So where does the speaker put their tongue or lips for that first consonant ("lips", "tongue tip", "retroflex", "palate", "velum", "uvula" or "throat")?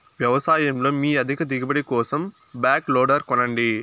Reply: lips